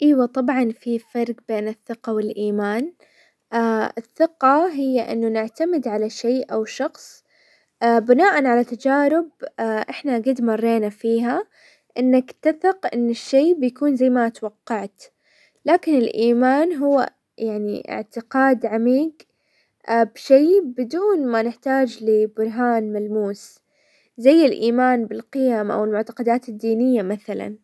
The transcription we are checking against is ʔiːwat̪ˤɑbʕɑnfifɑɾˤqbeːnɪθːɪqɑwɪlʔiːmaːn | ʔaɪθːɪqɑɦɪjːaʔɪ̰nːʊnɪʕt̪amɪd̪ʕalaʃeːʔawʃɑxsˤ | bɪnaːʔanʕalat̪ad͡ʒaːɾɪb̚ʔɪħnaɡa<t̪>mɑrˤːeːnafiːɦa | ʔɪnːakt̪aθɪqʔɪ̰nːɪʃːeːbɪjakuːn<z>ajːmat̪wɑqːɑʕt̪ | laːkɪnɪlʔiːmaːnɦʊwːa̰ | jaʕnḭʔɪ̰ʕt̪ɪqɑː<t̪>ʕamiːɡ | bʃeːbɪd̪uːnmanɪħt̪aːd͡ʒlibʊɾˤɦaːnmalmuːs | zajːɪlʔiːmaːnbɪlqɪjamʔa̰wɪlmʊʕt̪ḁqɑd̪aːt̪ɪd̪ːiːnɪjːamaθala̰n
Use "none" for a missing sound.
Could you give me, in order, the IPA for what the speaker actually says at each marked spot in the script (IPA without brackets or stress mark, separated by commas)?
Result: d̪, z, d̪